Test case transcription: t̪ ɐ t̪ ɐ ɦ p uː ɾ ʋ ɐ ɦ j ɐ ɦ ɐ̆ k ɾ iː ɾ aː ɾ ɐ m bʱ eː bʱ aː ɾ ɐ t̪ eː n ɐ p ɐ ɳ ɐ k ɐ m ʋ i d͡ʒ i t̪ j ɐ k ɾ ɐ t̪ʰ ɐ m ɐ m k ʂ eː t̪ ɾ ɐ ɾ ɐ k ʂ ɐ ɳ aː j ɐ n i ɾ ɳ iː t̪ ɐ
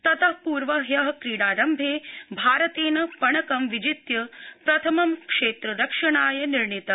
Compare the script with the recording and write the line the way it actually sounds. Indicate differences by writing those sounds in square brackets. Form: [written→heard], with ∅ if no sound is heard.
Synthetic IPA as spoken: t̪ ɐ t̪ ɐ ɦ p uː ɾ ʋ ɐ ɦ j ɐ ɦ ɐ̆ k ɾ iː [ɾ→ɽ] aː ɾ ɐ m bʱ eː bʱ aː ɾ ɐ t̪ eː n ɐ p ɐ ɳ ɐ k ɐ m ʋ i d͡ʒ i t̪ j ɐ [k→p] ɾ ɐ t̪ʰ ɐ m ɐ m k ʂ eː t̪ ɾ ɐ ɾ ɐ k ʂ ɐ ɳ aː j ɐ n i ɾ ɳ [iː→i] t̪ ɐ